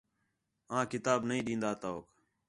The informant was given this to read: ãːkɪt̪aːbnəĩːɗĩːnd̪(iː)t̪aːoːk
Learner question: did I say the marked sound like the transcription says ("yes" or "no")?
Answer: no